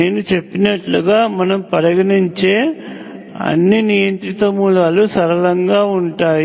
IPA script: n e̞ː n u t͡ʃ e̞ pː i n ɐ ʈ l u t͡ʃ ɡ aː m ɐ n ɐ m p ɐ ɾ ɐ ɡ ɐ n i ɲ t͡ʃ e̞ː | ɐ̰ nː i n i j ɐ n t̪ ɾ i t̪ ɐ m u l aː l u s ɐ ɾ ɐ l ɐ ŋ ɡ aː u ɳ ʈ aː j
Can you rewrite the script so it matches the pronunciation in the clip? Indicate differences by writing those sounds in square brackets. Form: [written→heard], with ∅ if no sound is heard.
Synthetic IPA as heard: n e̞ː n u t͡ʃ e̞ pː i n ɐ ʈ l u [t͡ʃ→∅] ɡ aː m ɐ n ɐ m p ɐ ɾ ɐ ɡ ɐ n i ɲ t͡ʃ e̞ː | ɐ̰ nː i n i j ɐ n t̪ ɾ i t̪ ɐ m u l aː l u s ɐ ɾ ɐ l ɐ ŋ ɡ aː u ɳ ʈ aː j